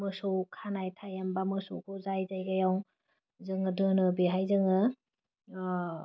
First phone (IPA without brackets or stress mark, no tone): m